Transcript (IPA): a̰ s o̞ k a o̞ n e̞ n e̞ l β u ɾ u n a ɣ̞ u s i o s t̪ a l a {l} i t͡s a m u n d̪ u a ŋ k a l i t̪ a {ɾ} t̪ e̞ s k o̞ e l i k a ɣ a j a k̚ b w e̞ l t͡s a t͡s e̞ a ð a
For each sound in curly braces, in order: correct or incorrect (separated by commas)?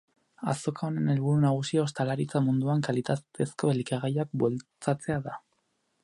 incorrect, incorrect